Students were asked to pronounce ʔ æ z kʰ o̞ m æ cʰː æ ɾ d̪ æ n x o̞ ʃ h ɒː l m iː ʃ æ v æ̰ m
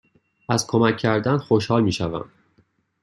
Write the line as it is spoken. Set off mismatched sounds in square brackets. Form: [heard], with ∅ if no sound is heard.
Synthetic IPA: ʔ æ z kʰ o̞ m æ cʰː æ ɾ d̪ æ n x o̞ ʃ h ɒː l m iː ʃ æ v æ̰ m